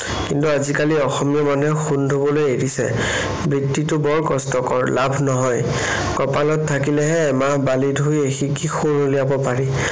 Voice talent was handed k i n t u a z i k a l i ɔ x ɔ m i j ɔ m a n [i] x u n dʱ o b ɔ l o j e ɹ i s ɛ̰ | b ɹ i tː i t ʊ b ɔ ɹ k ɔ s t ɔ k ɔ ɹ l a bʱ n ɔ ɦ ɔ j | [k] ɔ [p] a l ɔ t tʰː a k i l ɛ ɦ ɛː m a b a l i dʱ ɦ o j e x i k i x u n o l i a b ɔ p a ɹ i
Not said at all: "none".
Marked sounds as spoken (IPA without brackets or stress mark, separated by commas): ɛ, k, p